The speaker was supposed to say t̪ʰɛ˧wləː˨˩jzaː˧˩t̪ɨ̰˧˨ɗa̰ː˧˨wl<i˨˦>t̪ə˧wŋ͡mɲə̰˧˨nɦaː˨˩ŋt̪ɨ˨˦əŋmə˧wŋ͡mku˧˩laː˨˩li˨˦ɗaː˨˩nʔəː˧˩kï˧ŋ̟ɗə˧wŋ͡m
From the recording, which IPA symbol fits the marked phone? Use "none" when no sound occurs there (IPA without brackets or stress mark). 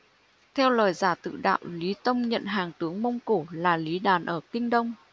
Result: i˨˦